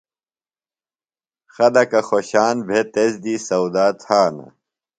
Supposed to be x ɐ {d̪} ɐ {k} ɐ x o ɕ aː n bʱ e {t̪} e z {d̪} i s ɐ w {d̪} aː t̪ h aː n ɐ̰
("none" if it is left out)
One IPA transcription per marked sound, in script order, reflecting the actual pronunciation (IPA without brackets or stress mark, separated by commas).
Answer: d̪, k, t̪, d̪, d̪